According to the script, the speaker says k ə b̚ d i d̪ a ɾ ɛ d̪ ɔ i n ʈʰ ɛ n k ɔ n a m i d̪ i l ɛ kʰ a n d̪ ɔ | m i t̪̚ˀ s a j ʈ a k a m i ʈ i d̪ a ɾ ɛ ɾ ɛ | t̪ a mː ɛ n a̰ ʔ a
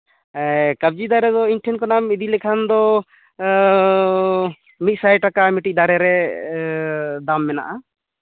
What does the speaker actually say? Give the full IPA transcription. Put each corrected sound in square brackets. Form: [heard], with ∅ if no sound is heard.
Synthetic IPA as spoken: k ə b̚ [d͡ʒ] i d̪ a ɾ ɛ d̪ ɔ i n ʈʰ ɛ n k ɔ n a m i d̪ i l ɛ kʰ a n d̪ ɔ | m i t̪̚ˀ s a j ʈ a k a m i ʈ i d̪ a ɾ ɛ ɾ ɛ | [d̪] a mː ɛ n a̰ ʔ a